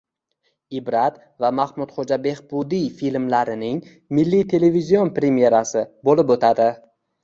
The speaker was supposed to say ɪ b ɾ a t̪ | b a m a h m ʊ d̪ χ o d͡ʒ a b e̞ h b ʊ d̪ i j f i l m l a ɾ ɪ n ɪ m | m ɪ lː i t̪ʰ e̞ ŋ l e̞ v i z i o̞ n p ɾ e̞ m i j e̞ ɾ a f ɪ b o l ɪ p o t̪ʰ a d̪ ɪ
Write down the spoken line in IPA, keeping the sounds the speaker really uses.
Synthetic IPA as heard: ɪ b ɾ a t̪ | v a m a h m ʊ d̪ χ o d͡ʒ a b e̞ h b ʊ d̪ i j f i l m l a ɾ ɪ n ɪ ŋ | m ɪ lː i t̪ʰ e̞ l e̞ v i z i o̞ n p ɾ e̞ m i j e̞ ɾ a s ɪ b o l ɪ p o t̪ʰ a d̪ ɪ